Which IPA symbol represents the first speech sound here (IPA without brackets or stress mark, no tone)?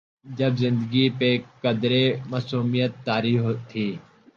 d͡ʒ